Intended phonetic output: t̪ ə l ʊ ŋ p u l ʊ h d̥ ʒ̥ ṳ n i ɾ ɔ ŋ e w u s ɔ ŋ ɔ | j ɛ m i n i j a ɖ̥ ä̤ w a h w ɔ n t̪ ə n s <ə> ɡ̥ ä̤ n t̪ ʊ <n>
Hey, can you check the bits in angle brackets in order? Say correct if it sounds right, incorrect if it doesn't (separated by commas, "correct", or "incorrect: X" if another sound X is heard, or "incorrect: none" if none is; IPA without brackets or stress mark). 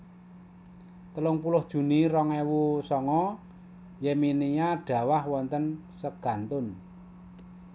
correct, correct